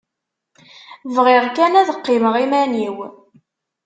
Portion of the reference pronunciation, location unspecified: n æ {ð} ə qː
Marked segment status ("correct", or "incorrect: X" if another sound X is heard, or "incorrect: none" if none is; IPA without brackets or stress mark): correct